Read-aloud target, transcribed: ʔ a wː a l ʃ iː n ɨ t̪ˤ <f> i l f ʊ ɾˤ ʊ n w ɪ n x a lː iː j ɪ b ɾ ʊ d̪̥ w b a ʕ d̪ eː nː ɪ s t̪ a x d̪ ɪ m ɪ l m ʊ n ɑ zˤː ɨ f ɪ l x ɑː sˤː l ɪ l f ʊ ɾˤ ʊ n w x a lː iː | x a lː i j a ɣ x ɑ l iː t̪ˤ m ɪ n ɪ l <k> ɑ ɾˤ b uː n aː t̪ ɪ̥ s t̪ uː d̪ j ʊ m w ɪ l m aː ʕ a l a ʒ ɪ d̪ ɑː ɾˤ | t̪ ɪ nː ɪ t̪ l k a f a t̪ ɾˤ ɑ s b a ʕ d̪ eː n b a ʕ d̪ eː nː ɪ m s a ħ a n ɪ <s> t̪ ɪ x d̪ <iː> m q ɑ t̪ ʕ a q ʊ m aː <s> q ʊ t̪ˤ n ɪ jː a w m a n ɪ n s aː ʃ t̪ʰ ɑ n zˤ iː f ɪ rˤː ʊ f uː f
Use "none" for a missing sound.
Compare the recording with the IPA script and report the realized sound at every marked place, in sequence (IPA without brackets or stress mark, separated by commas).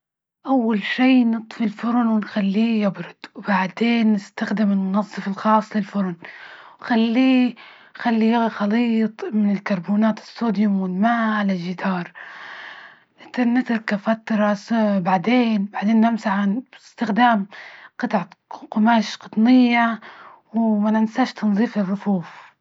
f, k, s, aː, ʃ